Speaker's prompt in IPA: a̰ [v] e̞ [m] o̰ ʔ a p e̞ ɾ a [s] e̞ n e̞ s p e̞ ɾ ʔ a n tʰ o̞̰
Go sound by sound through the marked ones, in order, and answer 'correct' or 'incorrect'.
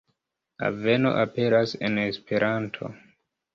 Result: correct, incorrect, correct

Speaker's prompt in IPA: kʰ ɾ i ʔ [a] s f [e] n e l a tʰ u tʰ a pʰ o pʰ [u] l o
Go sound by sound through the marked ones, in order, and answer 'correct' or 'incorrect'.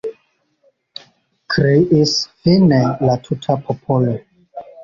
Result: incorrect, incorrect, incorrect

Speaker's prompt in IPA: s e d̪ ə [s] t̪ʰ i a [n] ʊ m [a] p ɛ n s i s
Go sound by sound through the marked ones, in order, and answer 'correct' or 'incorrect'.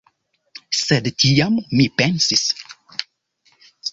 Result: incorrect, incorrect, incorrect

